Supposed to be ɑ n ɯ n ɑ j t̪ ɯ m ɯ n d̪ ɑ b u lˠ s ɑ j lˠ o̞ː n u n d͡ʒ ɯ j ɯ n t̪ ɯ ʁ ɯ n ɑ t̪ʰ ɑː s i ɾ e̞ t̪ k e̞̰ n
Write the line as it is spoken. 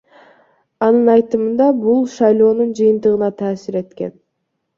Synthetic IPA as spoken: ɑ n ɯ n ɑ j t̪ ɯ m ɯ n d̪ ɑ b u lˠ ʃ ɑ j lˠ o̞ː n u n d͡ʒ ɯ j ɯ n t̪ ɯ ʁ ɯ n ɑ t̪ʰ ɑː s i ɾ e̞ t̪ k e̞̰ n